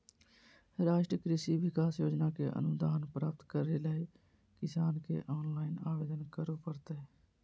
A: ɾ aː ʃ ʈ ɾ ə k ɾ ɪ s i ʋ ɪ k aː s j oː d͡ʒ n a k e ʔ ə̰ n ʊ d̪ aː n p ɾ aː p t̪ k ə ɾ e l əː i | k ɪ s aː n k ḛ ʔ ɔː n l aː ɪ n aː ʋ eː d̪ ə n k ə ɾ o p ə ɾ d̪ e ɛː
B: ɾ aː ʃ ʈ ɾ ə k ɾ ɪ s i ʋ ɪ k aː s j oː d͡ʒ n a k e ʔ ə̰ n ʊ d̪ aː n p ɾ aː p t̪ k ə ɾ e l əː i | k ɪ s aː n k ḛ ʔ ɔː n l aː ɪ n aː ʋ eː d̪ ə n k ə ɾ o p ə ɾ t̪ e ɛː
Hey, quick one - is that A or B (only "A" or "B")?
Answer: B